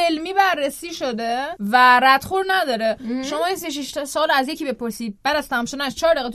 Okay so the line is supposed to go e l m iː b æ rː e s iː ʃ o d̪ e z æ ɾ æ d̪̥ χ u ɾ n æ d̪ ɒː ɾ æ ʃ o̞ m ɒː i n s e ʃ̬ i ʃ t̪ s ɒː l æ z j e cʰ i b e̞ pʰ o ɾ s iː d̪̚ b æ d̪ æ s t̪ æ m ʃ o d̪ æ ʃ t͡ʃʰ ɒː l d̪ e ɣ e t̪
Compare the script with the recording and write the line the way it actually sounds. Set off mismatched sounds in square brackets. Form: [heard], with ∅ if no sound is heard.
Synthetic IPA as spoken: e l m iː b æ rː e s iː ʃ o d̪ e [v] æ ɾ æ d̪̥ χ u ɾ n æ d̪ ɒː ɾ [e] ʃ o̞ m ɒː i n s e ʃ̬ i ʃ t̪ s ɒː l æ z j e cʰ i b e̞ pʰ o ɾ s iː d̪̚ b æ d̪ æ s t̪ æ m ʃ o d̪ æ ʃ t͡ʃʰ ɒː [ɾ] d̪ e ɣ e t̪